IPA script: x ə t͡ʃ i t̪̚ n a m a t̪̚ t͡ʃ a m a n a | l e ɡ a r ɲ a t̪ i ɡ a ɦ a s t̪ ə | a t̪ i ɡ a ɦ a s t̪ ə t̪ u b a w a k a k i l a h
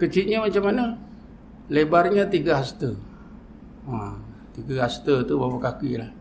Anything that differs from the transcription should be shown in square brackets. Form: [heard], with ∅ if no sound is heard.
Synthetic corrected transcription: [k] ə t͡ʃ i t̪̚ [ɲ] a m a [∅] t͡ʃ a m a n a | l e [b] a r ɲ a t̪ i ɡ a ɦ a s t̪ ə | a t̪ i ɡ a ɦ a s t̪ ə t̪ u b a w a k a k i l a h